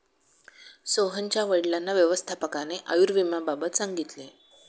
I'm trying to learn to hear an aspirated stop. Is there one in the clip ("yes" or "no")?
yes